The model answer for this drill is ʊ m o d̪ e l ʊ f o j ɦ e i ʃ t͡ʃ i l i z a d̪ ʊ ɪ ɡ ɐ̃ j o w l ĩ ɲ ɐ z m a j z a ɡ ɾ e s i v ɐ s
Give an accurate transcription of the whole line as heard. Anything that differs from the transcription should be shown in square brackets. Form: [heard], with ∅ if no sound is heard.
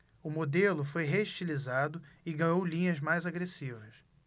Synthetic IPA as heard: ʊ m o d̪ e l ʊ f o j ɦ e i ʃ t͡ʃ i l i z a d̪ ʊ ɪ ɡ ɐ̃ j o w l ĩ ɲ ɐ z m a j z a ɡ ɾ e s i v ɐ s

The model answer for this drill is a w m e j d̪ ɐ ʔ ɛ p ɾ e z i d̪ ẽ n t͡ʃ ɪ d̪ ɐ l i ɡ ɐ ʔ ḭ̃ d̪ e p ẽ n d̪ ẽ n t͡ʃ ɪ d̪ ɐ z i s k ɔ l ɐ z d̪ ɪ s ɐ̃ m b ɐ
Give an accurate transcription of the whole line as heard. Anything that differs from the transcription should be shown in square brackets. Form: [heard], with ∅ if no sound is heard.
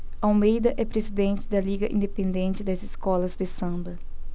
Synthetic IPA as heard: a w m e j d̪ ɐ ʔ ɛ p ɾ e z i d̪ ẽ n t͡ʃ ɪ d̪ ɐ l i ɡ ɐ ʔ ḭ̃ d̪ e p ẽ n d̪ ẽ n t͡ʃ ɪ d̪ ɐ z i s k ɔ l ɐ z d̪ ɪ s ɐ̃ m b ɐ

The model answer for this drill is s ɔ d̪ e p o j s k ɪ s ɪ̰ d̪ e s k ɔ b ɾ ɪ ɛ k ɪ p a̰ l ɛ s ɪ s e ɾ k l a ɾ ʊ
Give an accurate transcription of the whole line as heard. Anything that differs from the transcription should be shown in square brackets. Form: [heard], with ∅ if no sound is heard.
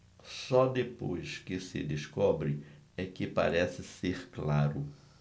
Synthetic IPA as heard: s ɔ d̪ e p o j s k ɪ s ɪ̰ d̪ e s k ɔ b ɾ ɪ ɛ k ɪ p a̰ [ɾ] ɛ s ɪ s e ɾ k l a ɾ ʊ

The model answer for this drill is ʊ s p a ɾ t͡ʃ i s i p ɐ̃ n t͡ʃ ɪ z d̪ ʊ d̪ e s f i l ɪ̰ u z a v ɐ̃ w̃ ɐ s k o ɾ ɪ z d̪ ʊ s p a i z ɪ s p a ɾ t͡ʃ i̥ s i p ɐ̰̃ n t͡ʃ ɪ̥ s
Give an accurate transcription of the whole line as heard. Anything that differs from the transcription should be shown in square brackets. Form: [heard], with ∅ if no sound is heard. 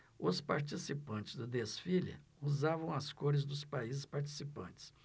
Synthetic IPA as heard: ʊ s p a ɾ t͡ʃ i s i p ɐ̃ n t͡ʃ ɪ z d̪ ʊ d̪ e s f i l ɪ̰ u z a v ɐ̃ w̃ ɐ s k o ɾ ɪ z d̪ ʊ s p a i z ɪ s p a ɾ t͡ʃ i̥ s i p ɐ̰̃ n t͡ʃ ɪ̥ s

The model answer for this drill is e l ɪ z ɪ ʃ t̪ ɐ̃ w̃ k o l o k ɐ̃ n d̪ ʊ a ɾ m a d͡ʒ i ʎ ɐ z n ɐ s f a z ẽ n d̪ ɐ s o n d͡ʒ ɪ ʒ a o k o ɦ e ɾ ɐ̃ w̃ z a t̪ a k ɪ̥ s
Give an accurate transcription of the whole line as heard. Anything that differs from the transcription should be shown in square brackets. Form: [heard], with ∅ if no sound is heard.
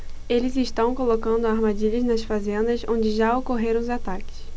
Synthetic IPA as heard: e l ɪ z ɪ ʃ t̪ ɐ̃ w̃ k o l o k ɐ̃ n d̪ ʊ a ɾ m a d͡ʒ i ʎ ɐ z n ɐ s f a z ẽ n d̪ ɐ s [õ] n d͡ʒ ɪ ʒ a o k o ɦ e ɾ ɐ̃ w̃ z a t̪ a k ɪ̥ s

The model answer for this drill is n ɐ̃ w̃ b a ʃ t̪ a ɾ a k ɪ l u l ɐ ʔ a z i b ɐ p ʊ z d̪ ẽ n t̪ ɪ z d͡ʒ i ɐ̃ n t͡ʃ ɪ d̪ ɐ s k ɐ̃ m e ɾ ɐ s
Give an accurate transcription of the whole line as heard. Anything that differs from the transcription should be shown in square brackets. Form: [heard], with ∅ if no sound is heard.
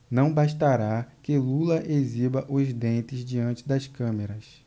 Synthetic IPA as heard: n ɐ̃ w̃ b a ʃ t̪ a ɾ a k ɪ l u l ɐ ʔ [e] z i b ɐ [ʔ] ʊ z d̪ ẽ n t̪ ɪ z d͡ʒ i ɐ̃ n t͡ʃ ɪ d̪ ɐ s k ɐ̃ m e ɾ ɐ s

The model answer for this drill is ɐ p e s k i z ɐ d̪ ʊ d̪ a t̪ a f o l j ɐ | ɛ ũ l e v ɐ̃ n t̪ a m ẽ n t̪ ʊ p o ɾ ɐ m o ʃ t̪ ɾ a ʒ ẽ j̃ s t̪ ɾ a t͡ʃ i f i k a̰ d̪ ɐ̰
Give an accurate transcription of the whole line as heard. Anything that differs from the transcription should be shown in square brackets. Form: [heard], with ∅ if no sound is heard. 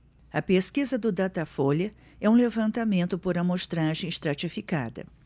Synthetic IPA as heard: ɐ p e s k i z ɐ d̪ ʊ d̪ a t̪ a f o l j ɐ | ɛ ũ l e v ɐ̃ n t̪ a m ẽ n t̪ ʊ p o ɾ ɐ m o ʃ t̪ ɾ a ʒ ẽ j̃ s t̪ ɾ a t͡ʃ i f i k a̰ d̪ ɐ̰

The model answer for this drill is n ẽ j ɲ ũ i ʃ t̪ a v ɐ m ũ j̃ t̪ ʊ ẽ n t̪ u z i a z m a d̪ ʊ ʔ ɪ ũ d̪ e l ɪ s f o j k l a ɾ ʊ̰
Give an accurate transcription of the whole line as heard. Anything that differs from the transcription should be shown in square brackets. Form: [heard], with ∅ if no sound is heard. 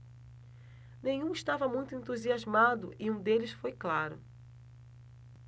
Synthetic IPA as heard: n ẽ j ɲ ũ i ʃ t̪ a v ɐ m ũ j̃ t̪ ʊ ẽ n t̪ u z i a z m a d̪ ʊ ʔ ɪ ũ d̪ e l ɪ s f o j k l a ɾ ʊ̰

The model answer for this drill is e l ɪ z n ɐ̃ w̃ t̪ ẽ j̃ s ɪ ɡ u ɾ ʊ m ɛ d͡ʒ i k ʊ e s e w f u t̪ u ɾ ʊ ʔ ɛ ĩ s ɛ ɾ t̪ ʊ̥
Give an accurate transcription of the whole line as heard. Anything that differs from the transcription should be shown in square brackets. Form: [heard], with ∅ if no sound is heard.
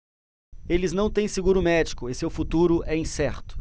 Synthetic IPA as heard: e l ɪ z n ɐ̃ w̃ t̪ ẽ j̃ s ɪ ɡ u ɾ ʊ m ɛ d͡ʒ i k ʊ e s e w f u t̪ u ɾ ʊ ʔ ɛ ĩ s ɛ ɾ t̪ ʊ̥

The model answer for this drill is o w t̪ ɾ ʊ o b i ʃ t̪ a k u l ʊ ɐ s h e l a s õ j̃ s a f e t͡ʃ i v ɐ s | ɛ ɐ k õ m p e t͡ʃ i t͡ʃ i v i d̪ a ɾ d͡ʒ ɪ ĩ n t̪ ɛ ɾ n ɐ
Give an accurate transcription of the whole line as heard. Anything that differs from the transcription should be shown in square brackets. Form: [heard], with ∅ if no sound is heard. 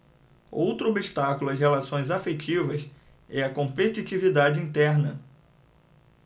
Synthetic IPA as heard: o w t̪ ɾ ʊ o b i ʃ t̪ a k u l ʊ ɐ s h e l a s õ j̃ [z] a f e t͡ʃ i v ɐ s | ɛ ɐ k õ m p e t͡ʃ i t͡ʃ i v i d̪ a [∅] d͡ʒ ɪ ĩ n t̪ ɛ ɾ n ɐ

